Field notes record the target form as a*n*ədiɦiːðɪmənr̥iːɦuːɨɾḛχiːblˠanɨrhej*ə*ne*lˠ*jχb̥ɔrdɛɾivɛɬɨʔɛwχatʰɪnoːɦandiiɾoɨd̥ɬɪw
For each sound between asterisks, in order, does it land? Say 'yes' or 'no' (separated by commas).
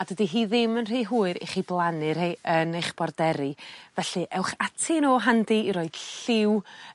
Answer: no, yes, no